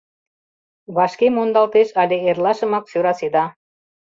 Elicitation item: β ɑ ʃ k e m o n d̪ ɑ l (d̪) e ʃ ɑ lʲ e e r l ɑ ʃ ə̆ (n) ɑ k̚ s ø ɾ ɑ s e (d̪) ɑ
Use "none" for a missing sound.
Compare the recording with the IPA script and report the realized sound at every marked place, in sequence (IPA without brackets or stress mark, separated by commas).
t̪, m, d̪